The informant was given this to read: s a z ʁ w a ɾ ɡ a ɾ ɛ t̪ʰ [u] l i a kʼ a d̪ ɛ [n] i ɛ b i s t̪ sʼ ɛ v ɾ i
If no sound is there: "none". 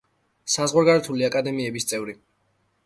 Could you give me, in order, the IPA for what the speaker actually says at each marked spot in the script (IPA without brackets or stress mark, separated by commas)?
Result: u, m